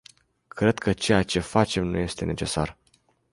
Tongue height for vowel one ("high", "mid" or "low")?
mid